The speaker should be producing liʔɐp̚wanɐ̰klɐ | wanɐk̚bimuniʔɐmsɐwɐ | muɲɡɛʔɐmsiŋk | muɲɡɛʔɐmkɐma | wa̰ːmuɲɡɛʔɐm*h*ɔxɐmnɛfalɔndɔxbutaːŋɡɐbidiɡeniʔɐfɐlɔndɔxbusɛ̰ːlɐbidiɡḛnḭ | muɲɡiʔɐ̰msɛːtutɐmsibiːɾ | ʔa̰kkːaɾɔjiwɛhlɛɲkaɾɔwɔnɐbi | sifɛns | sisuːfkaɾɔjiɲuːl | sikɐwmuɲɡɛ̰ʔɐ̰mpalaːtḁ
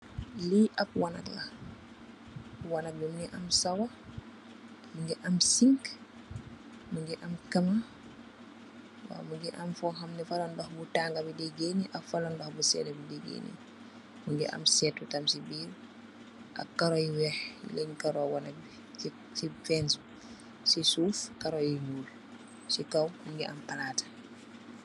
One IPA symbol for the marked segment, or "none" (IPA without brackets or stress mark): f